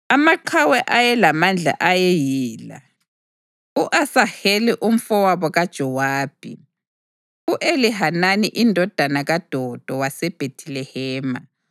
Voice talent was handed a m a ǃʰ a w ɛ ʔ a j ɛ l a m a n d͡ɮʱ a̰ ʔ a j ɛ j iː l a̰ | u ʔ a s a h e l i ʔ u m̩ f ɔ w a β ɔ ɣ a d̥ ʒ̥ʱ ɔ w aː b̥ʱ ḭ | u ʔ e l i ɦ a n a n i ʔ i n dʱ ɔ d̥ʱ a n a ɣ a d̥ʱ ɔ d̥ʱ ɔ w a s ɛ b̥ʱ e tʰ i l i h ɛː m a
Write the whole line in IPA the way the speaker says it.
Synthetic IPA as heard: a m a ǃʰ a w ɛ ʔ a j ɛ l a m a n d͡ɮʱ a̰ ʔ a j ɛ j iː l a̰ | u ʔ a s a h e l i ʔ u m̩ f ɔ w a β ɔ ɣ a d̥ ʒ̥ʱ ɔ w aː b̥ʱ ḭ | u ʔ e l i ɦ a n a n i ʔ i n dʱ ɔ d̥ʱ a n a ɣ a d̥ʱ ɔ d̥ʱ ɔ w a s ɛ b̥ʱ e tʰ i l ɛ h ɛː m a